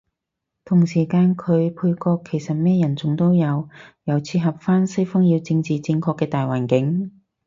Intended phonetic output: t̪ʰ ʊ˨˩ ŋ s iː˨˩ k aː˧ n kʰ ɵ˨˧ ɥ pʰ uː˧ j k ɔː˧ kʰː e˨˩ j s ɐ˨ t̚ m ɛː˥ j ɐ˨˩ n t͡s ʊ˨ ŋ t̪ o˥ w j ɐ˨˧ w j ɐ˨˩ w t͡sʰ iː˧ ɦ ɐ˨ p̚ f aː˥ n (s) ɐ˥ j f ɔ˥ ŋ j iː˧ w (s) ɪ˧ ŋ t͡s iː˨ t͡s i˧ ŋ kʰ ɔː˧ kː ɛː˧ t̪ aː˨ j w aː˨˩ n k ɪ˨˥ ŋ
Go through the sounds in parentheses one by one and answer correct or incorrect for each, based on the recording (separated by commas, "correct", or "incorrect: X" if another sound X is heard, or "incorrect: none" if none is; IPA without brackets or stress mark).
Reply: correct, incorrect: t͡s